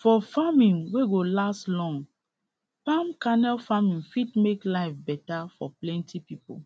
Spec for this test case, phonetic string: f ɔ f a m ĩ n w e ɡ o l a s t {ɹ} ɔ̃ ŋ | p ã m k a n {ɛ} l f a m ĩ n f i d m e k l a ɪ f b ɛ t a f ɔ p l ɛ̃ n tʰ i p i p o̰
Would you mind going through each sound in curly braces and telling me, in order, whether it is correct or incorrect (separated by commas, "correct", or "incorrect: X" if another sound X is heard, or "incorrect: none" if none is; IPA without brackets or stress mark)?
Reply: incorrect: l, correct